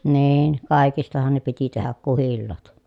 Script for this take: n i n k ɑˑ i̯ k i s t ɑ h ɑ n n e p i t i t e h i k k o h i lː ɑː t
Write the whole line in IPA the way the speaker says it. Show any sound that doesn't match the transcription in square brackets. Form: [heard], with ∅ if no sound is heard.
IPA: n [iː] n k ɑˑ i̯ k i s t ɑ h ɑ n n e p i t i t e h [æ] k k [u] h i lː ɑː t